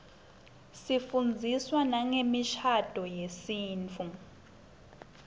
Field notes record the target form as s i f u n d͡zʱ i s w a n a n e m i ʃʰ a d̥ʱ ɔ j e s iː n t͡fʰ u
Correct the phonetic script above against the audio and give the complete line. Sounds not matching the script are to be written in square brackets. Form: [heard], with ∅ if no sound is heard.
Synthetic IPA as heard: s i f u n d͡zʱ i s w a n a [ŋ] e m i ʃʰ a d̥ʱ ɔ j e s iː n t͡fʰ u